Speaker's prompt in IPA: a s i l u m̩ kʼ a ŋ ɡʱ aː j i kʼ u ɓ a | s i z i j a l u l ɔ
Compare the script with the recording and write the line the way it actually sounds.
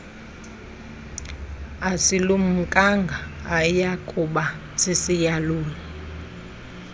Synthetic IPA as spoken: a s i l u m̩ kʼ a ŋ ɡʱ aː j a kʼ u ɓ a | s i s i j a l uː l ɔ